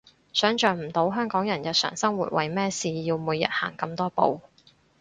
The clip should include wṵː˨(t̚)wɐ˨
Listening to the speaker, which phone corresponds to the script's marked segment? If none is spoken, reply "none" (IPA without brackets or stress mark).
t̚